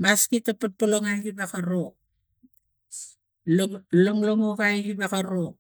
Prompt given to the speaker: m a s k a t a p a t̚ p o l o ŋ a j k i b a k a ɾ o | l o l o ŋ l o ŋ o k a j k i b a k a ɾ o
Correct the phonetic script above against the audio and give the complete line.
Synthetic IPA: m a s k i t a p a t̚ p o l o ŋ a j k i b a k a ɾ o | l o l o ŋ l o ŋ o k a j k i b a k a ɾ o